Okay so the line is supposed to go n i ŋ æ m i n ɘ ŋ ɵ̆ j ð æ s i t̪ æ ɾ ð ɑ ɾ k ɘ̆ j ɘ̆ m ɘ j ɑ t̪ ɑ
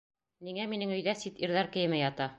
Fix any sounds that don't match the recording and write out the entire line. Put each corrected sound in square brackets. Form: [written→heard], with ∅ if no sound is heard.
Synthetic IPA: n i ŋ æ m i n ɘ ŋ ɵ̆ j ð æ s i t̪ [æ→i] ɾ ð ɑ ɾ k ɘ̆ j ɘ̆ m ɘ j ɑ t̪ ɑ